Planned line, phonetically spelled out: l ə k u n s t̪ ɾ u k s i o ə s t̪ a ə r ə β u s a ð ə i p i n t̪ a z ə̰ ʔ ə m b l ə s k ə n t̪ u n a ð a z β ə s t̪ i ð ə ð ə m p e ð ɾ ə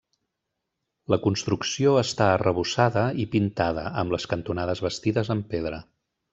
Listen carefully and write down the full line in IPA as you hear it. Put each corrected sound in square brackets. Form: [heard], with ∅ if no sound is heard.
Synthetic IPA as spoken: l ə k u n s t̪ ɾ u k s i o ə s t̪ a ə r ə β u s a ð ə i p i n t̪ a [ð] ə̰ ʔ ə m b l ə s k ə n t̪ u n a ð [ə] z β ə s t̪ i ð ə [z] ə m p e ð ɾ ə